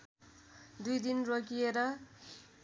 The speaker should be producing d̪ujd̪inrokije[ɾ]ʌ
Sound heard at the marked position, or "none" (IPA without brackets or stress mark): ɾ